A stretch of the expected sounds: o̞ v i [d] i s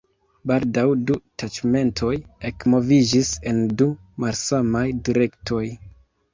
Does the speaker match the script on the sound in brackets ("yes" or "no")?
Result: no